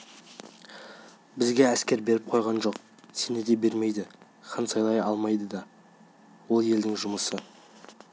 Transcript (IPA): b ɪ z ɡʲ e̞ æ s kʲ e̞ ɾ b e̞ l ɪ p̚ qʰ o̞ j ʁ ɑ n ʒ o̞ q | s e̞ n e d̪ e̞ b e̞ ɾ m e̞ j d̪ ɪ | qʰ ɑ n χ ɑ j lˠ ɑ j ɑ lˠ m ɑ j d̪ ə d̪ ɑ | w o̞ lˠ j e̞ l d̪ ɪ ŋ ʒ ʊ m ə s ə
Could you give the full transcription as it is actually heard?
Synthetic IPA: b ɪ z ɡʲ e̞ æ s kʲ e̞ ɾ b e̞ ɾ ɪ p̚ qʰ o̞ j ʁ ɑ n ʒ o̞ q | s e̞ n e d̪ e̞ b e̞ ɾ m e̞ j d̪ ɪ | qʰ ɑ n s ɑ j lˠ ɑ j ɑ lˠ m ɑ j d̪ ə d̪ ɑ | w o̞ lˠ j e̞ l d̪ ɪ ŋ ʒ ʊ m ə s ə